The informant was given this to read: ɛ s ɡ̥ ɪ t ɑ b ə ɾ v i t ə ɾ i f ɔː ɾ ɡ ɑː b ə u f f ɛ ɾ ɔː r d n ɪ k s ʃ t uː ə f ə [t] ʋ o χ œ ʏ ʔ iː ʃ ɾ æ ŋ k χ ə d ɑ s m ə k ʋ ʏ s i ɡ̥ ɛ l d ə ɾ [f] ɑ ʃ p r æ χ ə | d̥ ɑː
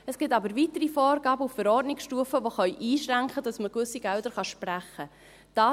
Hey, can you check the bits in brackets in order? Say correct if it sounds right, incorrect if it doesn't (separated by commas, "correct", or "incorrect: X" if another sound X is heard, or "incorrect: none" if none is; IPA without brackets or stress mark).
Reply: incorrect: none, incorrect: χ